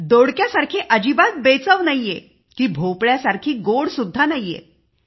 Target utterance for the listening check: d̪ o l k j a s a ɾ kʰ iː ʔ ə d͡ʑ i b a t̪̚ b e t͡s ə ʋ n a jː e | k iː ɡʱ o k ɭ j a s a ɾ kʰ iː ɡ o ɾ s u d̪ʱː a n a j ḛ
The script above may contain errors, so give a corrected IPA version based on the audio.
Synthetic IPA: d̪ o ɽ k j a s a ɾ kʰ iː ʔ ə d͡ʑ i b a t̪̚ b e t͡s ə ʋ n a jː e | k iː bʱ o p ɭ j a s a ɾ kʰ iː ɡ o ɽ s u d̪ʱː a n a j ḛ